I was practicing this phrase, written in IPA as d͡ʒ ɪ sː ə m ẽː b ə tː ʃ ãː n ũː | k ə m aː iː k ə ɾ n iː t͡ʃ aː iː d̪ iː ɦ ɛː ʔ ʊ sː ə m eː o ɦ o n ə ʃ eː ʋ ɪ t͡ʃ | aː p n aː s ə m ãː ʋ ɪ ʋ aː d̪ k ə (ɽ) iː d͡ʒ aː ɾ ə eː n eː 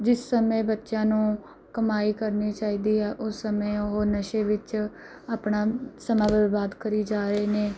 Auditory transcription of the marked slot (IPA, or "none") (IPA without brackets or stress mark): ɾ